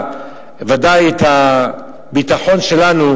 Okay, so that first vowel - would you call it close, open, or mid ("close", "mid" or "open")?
open